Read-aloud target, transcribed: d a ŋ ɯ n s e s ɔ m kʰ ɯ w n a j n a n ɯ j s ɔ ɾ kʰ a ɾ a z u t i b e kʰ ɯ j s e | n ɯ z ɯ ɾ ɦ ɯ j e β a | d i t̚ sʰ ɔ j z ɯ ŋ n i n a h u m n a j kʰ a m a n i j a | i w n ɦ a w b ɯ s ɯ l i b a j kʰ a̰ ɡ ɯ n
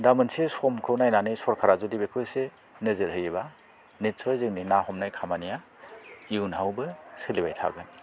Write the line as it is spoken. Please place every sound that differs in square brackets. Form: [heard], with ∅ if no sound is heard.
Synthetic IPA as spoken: d a [m] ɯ n s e s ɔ m kʰ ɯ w n a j n a n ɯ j s ɔ ɾ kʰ a ɾ a z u [d] i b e kʰ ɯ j s e | n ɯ z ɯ ɾ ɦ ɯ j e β a | [n] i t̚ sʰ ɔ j z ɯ ŋ n i n a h [ɔ] m n a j kʰ a m a n i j a | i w n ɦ a w b ɯ s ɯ l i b a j [tʰ] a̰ ɡ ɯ n